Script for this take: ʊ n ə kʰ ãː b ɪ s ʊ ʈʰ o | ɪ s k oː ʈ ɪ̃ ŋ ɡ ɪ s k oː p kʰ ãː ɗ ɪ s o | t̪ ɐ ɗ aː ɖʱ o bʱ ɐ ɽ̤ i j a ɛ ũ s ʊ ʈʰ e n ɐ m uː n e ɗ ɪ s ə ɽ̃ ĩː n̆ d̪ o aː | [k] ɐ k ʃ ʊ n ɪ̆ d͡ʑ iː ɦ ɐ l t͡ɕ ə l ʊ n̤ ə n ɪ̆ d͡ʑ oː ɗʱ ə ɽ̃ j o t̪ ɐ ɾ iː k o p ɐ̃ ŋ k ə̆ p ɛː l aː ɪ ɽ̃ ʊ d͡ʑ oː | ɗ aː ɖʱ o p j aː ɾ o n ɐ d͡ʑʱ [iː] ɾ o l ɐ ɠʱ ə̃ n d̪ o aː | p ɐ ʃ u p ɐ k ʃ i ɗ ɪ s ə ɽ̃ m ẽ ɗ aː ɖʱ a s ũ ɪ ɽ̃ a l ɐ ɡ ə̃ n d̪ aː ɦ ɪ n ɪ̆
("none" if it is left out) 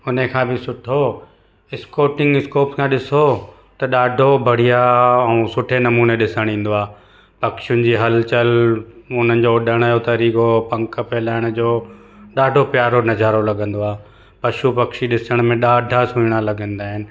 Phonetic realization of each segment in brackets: p, aː

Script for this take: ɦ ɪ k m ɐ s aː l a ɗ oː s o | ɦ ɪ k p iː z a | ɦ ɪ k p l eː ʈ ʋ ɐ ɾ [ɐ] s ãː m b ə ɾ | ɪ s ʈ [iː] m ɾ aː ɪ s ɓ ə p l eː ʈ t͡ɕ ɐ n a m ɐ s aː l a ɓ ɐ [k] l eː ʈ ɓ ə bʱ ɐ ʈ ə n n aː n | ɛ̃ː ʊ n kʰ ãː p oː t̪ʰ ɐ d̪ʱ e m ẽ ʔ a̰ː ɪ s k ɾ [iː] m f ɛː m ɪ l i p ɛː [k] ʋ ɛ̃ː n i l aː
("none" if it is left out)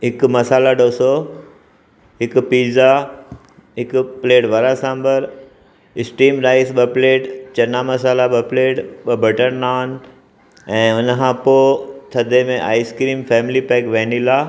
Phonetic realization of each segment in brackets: a, iː, p, iː, k

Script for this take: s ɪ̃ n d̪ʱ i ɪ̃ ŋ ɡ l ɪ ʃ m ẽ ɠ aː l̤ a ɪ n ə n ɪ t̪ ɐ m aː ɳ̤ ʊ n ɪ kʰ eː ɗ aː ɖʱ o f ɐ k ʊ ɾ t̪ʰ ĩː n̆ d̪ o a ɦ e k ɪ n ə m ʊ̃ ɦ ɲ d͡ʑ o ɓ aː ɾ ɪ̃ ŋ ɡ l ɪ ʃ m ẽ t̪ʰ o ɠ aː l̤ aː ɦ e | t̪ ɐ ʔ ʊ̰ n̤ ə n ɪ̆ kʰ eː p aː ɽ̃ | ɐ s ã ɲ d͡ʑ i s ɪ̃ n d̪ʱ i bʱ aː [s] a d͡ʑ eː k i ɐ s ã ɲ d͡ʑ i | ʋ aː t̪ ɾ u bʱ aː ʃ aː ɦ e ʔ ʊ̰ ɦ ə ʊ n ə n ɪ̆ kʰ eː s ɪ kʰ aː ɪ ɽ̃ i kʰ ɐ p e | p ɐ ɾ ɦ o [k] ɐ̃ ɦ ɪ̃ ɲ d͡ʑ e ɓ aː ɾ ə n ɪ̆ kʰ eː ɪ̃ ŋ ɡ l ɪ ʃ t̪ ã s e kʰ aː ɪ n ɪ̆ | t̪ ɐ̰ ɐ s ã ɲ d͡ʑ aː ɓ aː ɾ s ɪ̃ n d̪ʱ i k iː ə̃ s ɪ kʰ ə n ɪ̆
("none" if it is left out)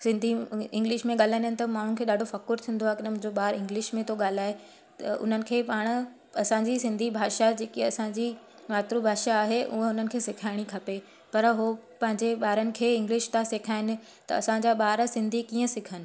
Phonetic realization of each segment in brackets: ʃ, p

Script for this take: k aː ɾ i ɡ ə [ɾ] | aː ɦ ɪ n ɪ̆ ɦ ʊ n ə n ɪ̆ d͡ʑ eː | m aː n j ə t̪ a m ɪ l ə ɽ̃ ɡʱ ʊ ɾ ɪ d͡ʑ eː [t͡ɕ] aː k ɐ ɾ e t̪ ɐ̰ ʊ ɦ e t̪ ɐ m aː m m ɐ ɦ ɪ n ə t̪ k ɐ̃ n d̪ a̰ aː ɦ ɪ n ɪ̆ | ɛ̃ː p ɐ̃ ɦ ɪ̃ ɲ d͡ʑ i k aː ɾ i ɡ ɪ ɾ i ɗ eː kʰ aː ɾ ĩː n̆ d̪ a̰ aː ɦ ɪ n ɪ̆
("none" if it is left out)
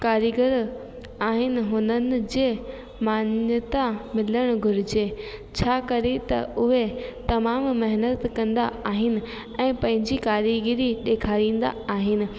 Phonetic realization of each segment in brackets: ɾ, t͡ɕʰ

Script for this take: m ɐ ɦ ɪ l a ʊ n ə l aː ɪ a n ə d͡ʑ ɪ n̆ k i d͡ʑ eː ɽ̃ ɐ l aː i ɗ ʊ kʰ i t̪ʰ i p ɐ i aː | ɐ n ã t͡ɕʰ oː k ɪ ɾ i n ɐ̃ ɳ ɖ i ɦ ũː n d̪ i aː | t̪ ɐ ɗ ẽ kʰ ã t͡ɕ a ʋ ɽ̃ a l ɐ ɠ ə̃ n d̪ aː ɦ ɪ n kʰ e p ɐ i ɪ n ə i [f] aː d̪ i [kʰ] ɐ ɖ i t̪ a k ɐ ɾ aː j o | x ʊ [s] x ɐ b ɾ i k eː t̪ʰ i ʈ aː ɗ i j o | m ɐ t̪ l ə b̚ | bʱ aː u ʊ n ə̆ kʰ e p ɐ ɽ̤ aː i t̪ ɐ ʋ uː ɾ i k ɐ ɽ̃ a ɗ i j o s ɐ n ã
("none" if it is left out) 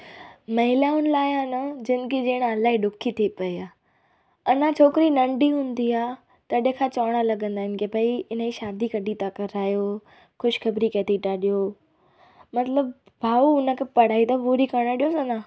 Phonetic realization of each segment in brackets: ʃ, k, ʃ

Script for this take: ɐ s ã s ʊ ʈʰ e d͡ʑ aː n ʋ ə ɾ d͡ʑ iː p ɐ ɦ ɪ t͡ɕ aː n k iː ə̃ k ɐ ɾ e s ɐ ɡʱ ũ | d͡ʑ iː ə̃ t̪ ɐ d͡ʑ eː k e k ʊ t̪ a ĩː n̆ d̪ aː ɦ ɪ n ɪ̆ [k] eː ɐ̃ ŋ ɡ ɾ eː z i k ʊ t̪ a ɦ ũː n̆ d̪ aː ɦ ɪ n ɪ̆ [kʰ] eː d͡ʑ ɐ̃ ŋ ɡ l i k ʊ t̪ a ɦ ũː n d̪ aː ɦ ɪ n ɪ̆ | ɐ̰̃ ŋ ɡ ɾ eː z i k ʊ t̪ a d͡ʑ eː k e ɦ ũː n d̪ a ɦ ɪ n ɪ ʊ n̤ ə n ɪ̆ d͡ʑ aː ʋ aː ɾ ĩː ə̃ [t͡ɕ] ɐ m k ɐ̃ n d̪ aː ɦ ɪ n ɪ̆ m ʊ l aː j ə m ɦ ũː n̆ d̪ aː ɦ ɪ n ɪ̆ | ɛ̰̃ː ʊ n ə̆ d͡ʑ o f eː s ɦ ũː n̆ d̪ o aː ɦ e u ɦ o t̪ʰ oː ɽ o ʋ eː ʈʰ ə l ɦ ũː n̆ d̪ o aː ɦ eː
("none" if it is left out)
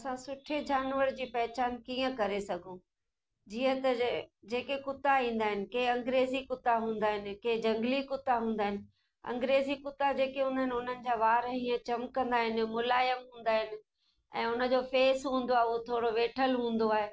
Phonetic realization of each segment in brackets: k, k, t͡ɕ

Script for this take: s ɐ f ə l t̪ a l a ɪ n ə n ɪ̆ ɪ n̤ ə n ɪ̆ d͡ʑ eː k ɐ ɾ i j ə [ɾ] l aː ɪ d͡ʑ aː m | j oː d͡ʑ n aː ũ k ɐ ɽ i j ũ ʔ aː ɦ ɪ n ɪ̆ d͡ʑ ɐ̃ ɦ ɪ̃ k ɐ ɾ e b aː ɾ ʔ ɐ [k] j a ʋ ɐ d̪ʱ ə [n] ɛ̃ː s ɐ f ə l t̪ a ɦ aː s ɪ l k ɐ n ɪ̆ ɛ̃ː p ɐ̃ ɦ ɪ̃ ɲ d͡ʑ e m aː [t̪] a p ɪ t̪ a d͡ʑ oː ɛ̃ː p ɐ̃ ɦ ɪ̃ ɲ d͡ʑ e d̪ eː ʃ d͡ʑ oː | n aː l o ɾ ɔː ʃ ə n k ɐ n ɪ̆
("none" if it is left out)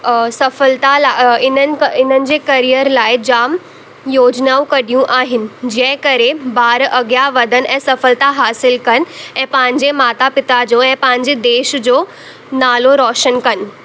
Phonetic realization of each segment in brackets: ɾ, ɡ, n, t̪

